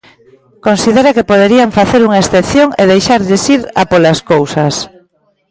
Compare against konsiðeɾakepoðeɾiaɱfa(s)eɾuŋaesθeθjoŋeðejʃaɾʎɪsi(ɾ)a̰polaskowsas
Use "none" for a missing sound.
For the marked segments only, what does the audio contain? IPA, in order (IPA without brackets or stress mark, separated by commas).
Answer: θ, ɾ